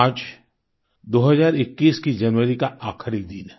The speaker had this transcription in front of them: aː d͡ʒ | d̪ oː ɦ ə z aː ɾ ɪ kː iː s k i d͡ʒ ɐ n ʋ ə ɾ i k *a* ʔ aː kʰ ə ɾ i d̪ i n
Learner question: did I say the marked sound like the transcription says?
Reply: yes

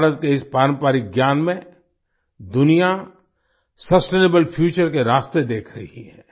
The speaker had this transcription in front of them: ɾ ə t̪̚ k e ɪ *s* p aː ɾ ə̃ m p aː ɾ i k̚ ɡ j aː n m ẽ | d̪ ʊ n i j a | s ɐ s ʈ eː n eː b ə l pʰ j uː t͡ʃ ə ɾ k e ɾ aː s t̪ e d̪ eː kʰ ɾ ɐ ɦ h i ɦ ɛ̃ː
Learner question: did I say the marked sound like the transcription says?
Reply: yes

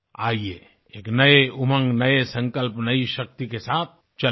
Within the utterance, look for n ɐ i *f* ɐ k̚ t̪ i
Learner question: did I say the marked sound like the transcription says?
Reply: no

